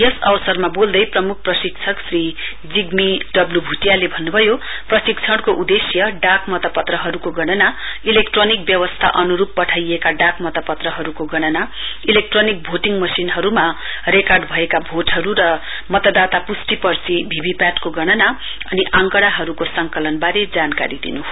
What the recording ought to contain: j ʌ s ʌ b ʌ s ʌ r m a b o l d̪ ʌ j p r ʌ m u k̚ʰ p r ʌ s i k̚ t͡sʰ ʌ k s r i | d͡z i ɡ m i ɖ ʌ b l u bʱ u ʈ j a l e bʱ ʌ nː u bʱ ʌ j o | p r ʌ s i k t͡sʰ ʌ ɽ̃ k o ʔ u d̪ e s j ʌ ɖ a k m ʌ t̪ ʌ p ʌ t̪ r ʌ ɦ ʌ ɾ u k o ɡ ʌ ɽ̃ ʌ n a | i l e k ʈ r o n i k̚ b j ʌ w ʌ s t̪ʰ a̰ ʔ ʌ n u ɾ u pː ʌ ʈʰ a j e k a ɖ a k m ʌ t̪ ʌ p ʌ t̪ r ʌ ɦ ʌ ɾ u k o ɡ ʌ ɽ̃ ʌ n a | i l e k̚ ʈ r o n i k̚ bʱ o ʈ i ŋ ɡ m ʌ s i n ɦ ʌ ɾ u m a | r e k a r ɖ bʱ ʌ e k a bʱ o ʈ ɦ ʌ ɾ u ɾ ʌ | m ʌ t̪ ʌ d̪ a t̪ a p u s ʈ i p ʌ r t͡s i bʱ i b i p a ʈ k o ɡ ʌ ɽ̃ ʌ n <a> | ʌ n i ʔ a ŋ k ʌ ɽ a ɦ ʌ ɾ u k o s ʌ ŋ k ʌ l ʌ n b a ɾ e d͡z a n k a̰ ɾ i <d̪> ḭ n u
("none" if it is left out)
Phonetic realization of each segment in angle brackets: a, d̪

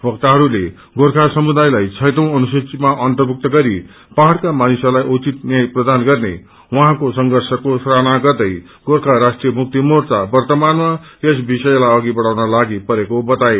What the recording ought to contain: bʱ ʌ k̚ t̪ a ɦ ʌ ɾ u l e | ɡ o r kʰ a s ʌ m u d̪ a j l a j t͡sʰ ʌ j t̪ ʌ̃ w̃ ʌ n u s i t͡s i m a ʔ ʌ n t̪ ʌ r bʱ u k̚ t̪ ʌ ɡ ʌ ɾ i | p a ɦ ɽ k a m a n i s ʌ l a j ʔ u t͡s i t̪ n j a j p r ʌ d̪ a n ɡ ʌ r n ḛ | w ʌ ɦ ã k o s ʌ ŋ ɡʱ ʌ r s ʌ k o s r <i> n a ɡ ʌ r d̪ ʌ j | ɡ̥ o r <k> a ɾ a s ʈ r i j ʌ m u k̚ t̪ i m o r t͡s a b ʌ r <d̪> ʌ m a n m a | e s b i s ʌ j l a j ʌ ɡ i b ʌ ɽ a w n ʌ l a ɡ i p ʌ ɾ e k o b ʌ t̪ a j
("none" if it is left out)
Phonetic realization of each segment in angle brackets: a, kʰ, t̪

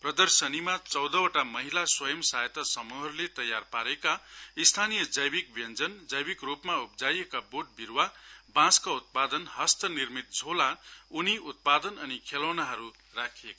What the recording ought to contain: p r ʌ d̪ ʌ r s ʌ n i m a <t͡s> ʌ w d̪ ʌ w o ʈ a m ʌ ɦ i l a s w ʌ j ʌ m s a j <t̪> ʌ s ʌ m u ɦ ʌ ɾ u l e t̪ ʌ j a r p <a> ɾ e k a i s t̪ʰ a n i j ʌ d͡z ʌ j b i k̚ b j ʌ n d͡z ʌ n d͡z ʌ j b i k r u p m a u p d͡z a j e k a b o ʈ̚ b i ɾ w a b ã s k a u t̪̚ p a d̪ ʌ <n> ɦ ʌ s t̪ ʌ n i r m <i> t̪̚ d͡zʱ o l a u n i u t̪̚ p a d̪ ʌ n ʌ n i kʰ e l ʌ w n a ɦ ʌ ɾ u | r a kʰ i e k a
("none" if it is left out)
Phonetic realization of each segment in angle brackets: t͡s, t̪, a, n, i

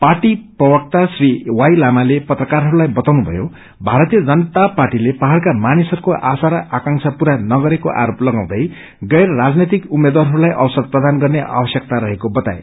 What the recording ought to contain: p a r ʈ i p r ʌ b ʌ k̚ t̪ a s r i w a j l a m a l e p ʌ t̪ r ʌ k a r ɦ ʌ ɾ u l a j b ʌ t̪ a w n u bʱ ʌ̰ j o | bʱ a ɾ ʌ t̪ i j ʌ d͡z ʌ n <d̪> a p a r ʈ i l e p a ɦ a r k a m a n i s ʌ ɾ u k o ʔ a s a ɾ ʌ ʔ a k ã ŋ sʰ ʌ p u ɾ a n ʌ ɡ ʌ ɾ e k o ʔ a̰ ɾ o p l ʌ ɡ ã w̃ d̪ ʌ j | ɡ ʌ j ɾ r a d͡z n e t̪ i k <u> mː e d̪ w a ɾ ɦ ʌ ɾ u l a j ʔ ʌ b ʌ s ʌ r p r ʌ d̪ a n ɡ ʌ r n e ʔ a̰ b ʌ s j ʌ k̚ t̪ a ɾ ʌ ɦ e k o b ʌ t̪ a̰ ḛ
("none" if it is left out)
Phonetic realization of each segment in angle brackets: t̪, u

